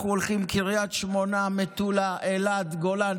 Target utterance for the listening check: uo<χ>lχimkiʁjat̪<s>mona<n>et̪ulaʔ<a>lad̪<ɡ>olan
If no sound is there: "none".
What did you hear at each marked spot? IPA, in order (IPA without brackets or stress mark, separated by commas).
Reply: none, ʃ, m, e, ɡ